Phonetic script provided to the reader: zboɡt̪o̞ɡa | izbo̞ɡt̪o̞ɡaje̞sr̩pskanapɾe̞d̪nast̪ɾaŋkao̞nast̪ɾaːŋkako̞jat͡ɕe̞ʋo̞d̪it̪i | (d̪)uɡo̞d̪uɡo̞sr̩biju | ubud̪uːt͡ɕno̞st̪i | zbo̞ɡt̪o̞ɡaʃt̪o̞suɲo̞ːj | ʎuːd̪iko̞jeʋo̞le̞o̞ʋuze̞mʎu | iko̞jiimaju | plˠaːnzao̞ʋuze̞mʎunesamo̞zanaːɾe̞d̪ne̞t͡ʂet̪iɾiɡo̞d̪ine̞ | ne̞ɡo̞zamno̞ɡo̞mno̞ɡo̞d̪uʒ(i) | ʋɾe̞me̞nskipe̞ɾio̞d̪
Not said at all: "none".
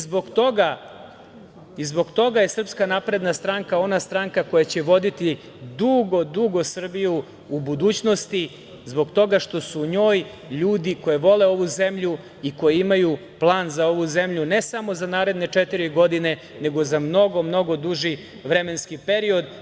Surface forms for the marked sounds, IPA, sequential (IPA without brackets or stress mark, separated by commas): d̪, i